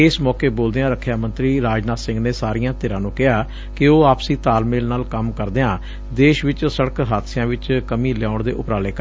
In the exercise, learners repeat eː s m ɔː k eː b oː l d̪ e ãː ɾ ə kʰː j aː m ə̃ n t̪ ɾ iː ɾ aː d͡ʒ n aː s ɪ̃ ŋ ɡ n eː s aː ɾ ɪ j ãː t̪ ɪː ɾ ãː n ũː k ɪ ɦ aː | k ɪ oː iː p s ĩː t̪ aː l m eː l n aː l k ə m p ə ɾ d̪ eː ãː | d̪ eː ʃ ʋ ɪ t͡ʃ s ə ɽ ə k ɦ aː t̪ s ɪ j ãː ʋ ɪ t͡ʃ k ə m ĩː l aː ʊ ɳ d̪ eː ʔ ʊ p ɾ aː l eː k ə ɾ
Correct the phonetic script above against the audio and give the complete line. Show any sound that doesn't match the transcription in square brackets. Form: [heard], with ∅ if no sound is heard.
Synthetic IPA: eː s m ɔː k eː b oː l d̪ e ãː ɾ ə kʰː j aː m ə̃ n t̪ ɾ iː ɾ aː d͡ʒ n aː s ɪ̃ ŋ ɡ n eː s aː ɾ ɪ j ãː t̪ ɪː ɾ ãː n ũː k ɪ ɦ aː | k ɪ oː [aː] p s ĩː t̪ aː l m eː l n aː l k ə m [k] ə ɾ d̪ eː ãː | d̪ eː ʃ ʋ ɪ t͡ʃ s ə ɽ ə k ɦ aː t̪ s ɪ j ãː ʋ ɪ t͡ʃ k ə m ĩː l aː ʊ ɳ d̪ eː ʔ ʊ p ɾ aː l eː k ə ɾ